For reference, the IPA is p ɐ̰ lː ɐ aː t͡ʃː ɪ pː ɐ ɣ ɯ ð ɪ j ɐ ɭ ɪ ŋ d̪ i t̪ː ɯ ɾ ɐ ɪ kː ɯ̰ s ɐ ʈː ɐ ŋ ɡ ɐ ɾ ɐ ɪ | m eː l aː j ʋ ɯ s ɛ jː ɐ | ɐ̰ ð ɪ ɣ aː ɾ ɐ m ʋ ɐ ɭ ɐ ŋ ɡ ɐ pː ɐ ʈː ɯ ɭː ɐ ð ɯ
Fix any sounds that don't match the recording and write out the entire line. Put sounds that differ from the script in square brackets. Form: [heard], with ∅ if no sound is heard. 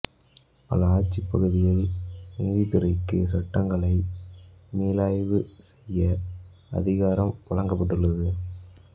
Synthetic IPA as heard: p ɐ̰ [l] ɐ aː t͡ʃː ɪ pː ɐ ɣ ɯ ð ɪ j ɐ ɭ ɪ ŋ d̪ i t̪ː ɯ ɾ ɐ ɪ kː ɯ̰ s ɐ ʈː ɐ ŋ ɡ ɐ [ɭ] ɐ ɪ | m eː l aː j ʋ ɯ s ɛ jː ɐ | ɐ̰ ð ɪ ɣ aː ɾ ɐ m ʋ ɐ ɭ ɐ ŋ ɡ ɐ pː ɐ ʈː ɯ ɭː ɐ ð ɯ